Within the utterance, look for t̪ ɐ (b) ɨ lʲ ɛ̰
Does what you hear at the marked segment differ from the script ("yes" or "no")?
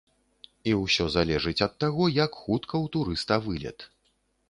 yes